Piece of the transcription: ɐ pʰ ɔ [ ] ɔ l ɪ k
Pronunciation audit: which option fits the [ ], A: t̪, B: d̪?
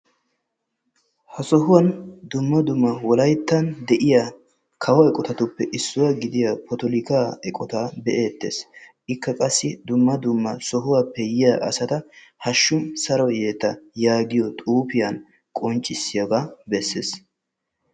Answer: A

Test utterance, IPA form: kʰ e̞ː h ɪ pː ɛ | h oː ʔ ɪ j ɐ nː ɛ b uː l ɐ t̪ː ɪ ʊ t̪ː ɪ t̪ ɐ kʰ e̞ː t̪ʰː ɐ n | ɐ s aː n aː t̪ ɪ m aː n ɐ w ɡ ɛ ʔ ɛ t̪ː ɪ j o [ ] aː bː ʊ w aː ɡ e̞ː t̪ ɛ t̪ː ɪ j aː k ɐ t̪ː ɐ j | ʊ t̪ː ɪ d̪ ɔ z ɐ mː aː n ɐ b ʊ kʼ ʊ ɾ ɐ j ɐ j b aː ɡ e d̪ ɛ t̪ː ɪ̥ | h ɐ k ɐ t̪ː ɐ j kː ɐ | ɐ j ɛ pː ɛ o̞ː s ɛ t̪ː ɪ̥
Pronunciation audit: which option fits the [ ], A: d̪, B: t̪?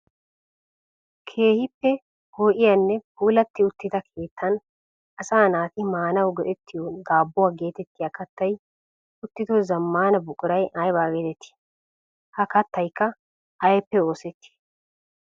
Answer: A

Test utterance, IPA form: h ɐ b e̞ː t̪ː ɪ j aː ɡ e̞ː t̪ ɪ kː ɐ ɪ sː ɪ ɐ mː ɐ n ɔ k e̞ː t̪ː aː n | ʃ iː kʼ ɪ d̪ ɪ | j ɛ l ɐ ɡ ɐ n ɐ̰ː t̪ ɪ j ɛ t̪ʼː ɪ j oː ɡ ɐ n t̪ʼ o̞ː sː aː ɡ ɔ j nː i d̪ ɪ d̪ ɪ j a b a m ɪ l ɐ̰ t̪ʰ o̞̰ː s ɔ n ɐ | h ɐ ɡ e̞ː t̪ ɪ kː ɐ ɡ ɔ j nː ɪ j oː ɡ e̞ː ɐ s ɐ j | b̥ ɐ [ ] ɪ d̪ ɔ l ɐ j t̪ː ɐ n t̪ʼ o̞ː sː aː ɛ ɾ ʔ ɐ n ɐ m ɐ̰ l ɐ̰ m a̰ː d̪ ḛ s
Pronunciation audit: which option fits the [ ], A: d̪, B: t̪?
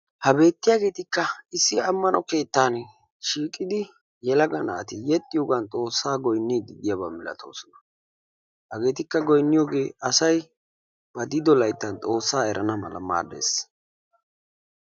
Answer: A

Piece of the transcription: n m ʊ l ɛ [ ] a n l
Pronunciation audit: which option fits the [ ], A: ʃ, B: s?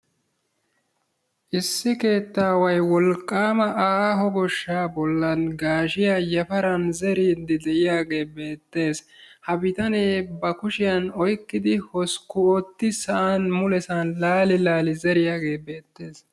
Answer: B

